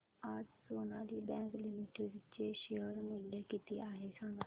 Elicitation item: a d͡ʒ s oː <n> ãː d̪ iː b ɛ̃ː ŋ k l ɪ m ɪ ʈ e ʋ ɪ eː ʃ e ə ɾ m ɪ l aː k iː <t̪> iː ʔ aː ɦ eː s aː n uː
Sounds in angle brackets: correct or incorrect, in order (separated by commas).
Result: correct, correct